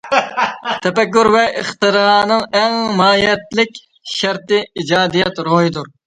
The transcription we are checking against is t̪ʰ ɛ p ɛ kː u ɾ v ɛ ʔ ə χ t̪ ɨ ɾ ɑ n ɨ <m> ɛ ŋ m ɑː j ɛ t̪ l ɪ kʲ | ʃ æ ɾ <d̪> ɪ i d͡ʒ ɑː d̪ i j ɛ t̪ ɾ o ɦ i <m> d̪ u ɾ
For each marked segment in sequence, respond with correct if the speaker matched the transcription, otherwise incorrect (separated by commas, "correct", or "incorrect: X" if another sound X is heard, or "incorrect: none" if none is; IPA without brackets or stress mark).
incorrect: ŋ, incorrect: t̪, incorrect: none